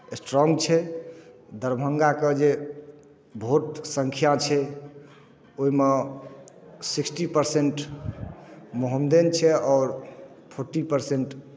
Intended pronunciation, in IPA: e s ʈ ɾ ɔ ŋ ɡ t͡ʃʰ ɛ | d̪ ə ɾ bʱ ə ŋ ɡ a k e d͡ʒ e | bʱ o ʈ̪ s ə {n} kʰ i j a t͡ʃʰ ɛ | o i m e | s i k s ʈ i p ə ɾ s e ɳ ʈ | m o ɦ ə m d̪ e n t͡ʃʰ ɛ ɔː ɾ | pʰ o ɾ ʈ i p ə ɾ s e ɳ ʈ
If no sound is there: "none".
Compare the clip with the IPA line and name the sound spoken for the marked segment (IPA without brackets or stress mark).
ŋ